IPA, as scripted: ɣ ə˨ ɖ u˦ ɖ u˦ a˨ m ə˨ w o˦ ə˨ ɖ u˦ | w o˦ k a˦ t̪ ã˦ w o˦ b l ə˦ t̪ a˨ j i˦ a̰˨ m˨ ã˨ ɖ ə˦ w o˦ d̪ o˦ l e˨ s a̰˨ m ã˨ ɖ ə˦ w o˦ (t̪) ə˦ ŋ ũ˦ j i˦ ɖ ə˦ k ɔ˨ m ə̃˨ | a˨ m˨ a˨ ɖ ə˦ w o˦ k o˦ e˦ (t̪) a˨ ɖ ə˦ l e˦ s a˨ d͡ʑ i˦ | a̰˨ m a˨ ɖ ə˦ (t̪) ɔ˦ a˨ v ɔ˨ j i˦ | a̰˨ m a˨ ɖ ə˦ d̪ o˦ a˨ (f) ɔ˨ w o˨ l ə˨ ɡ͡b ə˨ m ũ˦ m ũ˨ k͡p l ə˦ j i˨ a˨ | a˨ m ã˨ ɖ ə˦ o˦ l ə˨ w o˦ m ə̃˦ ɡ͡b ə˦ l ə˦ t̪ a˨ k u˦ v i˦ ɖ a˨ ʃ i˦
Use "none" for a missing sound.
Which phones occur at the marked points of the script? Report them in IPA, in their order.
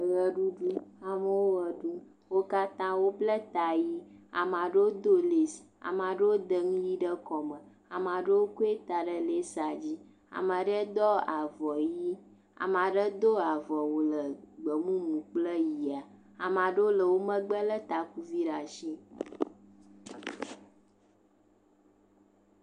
d̪, t̪, d̪, v

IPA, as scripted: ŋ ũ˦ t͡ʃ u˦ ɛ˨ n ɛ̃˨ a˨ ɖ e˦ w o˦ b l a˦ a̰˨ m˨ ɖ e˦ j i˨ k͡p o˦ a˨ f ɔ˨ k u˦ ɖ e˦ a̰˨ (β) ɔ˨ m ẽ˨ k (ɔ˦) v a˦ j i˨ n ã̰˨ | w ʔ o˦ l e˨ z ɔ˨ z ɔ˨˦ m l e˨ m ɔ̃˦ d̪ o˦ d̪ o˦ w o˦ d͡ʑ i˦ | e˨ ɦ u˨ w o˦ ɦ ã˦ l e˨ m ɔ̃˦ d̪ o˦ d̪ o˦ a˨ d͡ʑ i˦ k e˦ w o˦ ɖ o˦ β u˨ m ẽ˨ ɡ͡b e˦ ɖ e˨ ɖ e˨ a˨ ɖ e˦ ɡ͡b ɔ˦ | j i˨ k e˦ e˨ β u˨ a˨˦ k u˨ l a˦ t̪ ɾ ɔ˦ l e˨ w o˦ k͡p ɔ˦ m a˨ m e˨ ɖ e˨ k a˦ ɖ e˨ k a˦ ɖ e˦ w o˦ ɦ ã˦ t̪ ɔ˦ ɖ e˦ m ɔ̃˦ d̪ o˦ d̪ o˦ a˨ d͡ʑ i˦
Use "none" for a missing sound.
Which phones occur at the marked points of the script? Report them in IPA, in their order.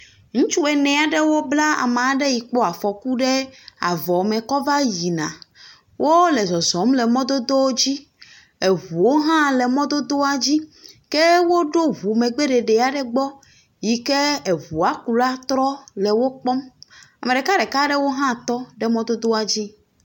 v, ɔ˦

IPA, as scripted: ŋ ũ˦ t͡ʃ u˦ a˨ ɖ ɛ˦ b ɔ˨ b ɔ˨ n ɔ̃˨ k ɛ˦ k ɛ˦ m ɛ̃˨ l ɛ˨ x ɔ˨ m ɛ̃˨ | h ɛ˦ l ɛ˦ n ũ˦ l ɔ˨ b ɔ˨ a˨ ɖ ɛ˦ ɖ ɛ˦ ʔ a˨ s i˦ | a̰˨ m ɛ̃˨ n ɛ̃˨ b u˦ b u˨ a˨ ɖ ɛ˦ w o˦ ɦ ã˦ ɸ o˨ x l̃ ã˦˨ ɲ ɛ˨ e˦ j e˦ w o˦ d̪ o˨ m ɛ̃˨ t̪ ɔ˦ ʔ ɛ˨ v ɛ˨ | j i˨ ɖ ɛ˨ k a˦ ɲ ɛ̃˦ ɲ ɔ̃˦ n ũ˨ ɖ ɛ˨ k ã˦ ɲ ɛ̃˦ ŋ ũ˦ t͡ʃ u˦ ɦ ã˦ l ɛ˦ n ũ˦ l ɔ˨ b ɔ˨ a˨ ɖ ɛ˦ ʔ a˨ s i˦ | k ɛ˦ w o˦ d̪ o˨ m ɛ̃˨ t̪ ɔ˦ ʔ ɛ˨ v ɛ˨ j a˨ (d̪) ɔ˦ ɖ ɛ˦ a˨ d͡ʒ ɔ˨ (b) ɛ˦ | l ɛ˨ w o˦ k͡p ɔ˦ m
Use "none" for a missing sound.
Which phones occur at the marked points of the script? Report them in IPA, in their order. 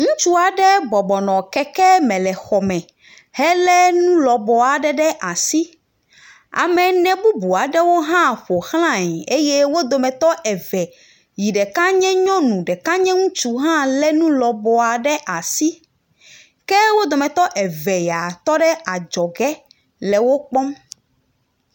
t̪, ɡ

